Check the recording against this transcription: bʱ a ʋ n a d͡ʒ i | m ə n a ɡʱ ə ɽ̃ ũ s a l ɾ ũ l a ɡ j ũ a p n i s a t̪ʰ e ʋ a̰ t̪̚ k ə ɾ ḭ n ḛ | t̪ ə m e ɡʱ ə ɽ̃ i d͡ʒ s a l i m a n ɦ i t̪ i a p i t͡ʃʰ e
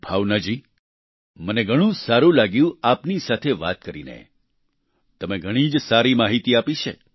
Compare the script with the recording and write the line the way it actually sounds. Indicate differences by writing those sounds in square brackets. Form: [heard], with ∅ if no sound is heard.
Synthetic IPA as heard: bʱ a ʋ n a d͡ʒ i | m ə n [e] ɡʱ ə ɽ̃ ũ s a [∅] ɾ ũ l a ɡ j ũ a p n i s a t̪ʰ e ʋ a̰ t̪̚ k ə ɾ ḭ n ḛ | t̪ ə m e ɡʱ ə ɽ̃ i d͡ʒ s a [ɾ] i m a [∅] ɦ i t̪ i a p i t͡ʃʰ e